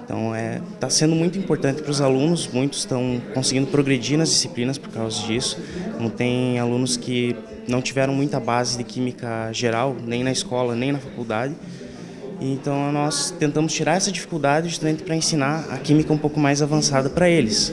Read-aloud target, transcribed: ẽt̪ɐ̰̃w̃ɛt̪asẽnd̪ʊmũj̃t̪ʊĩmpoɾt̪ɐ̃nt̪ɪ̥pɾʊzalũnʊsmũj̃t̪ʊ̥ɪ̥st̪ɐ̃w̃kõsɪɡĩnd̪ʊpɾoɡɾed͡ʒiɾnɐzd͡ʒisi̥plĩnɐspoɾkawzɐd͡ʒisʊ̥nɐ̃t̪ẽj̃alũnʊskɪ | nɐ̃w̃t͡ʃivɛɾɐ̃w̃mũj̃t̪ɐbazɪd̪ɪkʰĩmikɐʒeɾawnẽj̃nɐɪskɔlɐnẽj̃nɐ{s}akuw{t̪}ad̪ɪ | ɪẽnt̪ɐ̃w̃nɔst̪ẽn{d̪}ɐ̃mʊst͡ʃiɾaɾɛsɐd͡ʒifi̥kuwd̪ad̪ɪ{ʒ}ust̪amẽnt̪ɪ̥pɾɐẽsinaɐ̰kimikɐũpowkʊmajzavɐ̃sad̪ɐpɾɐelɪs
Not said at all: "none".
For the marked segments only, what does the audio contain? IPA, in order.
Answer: f, d̪, t̪, ʒ

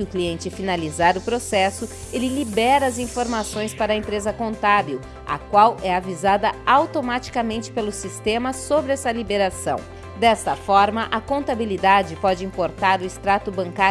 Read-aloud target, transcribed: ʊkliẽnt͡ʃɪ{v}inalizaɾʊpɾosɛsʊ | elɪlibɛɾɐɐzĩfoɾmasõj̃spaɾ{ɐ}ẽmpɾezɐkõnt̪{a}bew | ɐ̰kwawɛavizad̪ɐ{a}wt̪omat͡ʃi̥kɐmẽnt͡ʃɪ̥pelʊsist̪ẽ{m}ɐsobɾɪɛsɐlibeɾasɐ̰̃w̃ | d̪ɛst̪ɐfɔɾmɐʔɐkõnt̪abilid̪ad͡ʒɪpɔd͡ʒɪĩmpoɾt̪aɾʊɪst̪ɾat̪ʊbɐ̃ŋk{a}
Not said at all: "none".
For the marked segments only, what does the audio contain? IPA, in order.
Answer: f, ɐ, a, a, m, a

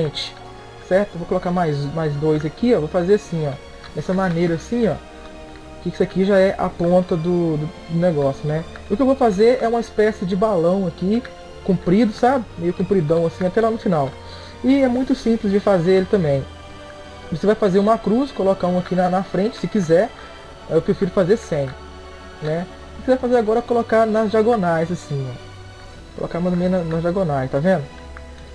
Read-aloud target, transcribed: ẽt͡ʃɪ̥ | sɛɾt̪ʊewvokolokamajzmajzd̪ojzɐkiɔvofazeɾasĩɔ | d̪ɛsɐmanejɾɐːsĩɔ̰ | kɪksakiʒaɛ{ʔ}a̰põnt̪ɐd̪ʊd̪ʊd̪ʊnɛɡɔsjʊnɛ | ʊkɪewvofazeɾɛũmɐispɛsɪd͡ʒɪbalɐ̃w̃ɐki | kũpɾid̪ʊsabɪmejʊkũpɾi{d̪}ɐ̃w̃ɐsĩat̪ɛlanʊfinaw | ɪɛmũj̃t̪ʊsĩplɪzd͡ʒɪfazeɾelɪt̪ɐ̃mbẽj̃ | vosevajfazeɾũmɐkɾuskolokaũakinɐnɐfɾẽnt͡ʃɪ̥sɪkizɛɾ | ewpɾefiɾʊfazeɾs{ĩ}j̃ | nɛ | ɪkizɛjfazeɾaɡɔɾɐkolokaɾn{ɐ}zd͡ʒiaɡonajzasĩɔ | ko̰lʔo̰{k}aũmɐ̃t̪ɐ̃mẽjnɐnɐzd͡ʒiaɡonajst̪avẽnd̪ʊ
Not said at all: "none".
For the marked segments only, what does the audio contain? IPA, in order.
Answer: ʔ, d̪, ẽ, ɐ, k

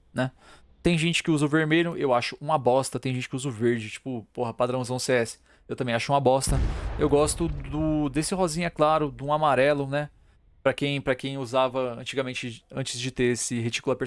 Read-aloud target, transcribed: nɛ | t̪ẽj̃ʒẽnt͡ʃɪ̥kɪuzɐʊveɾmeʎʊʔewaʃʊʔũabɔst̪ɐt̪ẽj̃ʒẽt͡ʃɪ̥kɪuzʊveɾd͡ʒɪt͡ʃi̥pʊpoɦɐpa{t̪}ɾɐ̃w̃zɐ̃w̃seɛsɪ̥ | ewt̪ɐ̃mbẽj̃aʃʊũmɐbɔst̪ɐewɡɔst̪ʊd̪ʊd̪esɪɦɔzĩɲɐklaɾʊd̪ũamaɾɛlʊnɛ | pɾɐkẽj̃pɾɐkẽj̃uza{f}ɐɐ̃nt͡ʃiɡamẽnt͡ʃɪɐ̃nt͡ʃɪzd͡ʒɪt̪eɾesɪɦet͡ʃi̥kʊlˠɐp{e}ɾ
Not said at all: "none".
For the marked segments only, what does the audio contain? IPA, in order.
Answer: d̪, v, e

